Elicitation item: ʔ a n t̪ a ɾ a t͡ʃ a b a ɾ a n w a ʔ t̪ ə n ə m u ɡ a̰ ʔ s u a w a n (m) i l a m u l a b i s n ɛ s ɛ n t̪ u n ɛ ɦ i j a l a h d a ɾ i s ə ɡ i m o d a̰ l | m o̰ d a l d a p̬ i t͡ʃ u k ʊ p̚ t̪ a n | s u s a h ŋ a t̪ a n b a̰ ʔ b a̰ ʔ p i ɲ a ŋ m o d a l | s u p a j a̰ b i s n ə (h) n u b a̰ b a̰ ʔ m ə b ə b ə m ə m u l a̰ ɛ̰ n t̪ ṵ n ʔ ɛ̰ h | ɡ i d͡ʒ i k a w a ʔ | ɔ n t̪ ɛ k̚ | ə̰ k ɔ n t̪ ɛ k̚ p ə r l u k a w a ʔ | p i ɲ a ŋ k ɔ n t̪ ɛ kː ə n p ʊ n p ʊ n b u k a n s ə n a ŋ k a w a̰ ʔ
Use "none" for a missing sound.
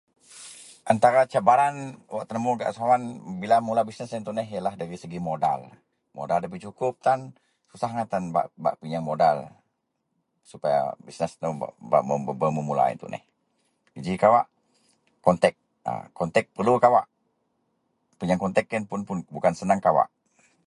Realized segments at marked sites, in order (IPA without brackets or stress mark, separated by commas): b, s